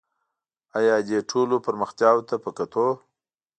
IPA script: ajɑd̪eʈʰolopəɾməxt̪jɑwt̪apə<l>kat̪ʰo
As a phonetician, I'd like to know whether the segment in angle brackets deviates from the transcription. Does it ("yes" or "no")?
yes